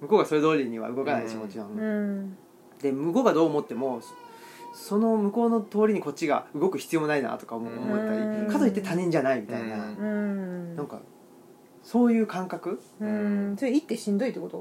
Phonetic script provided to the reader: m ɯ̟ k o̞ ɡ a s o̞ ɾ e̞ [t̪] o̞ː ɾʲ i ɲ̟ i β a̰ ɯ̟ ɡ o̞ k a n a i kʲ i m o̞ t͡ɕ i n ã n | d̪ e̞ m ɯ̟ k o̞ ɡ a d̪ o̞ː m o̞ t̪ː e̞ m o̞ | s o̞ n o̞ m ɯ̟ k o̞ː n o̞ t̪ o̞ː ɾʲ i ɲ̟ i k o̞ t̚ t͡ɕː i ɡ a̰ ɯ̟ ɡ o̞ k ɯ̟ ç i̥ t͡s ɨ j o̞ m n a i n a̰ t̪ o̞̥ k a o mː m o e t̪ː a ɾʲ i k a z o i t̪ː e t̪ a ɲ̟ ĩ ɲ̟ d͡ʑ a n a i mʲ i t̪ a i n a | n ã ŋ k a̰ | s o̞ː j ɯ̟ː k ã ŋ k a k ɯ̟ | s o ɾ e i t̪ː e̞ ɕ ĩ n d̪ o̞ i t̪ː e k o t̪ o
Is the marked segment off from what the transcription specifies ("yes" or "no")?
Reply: yes